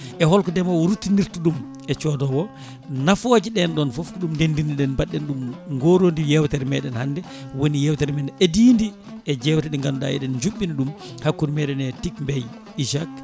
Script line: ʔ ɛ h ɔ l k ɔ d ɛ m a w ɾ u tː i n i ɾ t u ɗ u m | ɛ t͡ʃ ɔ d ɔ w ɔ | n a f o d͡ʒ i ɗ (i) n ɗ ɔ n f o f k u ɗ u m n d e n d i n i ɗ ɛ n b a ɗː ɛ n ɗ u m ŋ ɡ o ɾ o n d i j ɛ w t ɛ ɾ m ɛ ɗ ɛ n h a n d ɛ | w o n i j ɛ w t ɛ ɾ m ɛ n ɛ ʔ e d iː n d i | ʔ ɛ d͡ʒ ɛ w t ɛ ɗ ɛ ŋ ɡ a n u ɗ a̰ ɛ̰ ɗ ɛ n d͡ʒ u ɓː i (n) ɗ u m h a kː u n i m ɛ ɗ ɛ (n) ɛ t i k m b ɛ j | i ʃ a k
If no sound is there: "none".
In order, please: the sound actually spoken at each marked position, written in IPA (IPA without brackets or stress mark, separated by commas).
ɛ, n, n